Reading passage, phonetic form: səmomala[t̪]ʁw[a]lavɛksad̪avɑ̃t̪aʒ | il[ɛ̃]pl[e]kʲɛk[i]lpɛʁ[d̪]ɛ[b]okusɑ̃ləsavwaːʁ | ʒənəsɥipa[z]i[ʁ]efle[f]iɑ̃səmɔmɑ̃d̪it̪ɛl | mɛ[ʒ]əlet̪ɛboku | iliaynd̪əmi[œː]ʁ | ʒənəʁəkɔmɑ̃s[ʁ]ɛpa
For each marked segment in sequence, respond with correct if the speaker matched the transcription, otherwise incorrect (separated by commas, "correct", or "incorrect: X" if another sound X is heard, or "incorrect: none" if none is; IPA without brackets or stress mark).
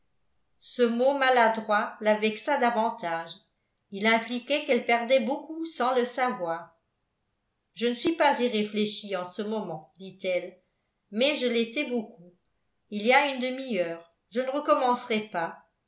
incorrect: d̪, correct, correct, incorrect: i, incorrect: ɛ, correct, correct, correct, correct, incorrect: ʃ, correct, correct, correct